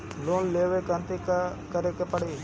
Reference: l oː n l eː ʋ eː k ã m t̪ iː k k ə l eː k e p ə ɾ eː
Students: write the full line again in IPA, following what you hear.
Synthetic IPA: l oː n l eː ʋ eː k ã n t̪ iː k k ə ɾ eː k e p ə ɽ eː